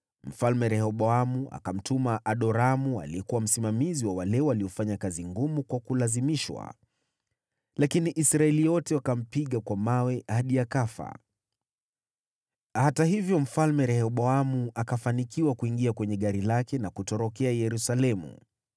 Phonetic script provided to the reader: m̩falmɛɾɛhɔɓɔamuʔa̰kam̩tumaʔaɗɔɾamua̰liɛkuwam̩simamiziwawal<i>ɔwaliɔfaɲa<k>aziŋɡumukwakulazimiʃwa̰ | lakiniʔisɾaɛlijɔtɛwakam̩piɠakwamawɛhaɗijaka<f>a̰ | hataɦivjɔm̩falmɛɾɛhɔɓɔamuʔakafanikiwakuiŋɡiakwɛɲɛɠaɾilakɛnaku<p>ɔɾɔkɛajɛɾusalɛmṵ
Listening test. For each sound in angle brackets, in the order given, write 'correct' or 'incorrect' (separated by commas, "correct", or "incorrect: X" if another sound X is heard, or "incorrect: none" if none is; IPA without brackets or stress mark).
incorrect: ɛ, correct, correct, incorrect: t